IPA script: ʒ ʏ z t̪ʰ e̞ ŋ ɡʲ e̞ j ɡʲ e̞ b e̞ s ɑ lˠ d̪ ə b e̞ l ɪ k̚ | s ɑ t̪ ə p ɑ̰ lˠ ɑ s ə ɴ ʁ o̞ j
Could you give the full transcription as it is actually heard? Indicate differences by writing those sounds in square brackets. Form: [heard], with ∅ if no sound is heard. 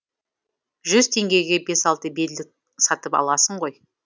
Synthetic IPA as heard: ʒ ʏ z t̪ʰ e̞ ŋ ɡʲ e̞ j ɡʲ e̞ b e̞ s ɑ lˠ [t̪] ə b e̞ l ɪ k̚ | s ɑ t̪ ə p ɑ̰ lˠ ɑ s ə ɴ ʁ o̞ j